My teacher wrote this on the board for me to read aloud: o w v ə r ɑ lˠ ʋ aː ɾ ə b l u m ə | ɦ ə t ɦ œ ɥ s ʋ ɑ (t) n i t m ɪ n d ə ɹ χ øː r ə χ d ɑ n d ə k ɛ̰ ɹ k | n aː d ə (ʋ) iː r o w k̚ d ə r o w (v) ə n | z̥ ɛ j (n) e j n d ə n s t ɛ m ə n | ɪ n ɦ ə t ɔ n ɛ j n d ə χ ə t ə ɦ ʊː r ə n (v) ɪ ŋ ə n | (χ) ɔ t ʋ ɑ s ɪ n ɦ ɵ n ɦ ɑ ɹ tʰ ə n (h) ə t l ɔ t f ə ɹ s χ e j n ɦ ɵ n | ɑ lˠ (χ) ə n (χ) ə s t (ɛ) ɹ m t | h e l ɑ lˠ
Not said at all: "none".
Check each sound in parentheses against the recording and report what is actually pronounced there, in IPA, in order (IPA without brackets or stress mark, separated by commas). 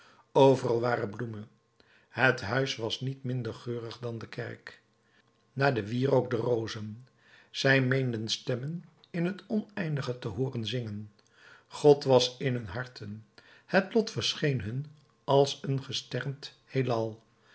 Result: s, ʋ, z, m, z, χ, h, s, χ, ɛ